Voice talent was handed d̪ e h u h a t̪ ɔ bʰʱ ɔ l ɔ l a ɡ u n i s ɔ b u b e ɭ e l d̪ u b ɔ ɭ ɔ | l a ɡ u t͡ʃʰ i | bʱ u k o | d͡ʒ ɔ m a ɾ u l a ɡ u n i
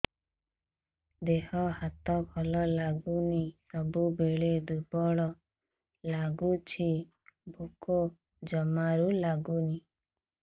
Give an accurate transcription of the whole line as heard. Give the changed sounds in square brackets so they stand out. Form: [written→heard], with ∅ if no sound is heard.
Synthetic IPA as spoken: d̪ e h [u→ɔ] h a t̪ ɔ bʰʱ ɔ l ɔ l a ɡ u n i s ɔ b u b e ɭ e [l→∅] d̪ u b ɔ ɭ ɔ | l a ɡ u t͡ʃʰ i | bʱ u k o | d͡ʒ ɔ m a ɾ u l a ɡ u n i